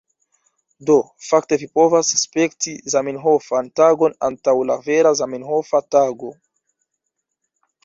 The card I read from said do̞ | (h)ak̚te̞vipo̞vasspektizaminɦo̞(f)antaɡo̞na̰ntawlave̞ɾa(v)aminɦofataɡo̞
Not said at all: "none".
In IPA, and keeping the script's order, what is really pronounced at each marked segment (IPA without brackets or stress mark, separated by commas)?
f, f, z